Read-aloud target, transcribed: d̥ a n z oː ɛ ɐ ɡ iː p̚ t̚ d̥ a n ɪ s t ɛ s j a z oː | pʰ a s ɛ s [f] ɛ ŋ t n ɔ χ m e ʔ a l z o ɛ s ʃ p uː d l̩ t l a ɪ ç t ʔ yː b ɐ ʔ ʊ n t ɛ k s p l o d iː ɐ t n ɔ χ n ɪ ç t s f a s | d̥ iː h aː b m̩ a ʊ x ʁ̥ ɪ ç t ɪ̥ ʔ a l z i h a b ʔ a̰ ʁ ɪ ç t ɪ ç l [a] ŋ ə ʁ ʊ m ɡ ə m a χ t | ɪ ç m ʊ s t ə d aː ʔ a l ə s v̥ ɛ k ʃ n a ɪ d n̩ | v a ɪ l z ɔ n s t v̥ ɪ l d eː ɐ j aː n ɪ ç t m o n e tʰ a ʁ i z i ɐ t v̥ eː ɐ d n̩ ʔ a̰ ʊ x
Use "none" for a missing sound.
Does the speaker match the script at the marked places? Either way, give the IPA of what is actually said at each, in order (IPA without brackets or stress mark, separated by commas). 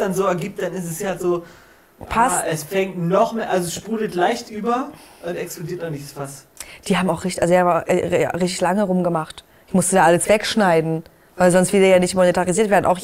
f, a